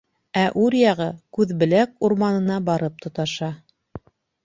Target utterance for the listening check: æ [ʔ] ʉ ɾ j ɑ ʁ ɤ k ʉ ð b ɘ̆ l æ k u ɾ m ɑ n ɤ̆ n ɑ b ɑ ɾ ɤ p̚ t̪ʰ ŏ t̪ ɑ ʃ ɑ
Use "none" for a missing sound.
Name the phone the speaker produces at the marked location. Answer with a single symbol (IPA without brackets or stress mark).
ʔ